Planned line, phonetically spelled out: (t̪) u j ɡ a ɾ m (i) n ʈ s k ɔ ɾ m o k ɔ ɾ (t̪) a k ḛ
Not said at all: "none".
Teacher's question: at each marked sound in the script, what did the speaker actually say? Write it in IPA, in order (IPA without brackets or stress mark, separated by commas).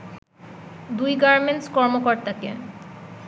d̪, e, t̪